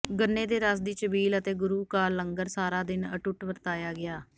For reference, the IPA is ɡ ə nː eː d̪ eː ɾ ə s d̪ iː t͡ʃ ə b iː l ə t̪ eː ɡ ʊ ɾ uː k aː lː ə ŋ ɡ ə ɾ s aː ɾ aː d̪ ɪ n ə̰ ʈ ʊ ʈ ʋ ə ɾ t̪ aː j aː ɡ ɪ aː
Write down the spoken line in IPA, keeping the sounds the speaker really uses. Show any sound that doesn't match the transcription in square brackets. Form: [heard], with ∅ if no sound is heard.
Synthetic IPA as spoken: ɡ ə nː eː d̪ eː ɾ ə s d̪ iː t͡ʃ ə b iː l ə t̪ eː ɡ ʊ ɾ uː k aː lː ə ŋ ɡ ə ɾ s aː ɾ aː d̪ ɪ n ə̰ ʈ ʊ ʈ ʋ ə ɾ t̪ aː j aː ɡ ɪ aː